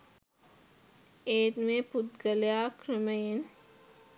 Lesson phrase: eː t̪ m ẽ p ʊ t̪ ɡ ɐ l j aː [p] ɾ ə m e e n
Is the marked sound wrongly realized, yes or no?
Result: yes